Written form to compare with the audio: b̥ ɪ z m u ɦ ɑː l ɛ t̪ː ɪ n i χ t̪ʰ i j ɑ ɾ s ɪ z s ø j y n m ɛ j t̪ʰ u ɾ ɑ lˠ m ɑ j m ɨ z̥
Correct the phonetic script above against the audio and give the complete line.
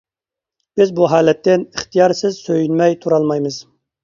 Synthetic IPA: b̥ ɪ z b u ɦ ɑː l ɛ t̪ː ɪ n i χ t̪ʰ i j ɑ ɾ s ɪ z s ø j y n m ɛ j t̪ʰ u ɾ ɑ lˠ m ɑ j m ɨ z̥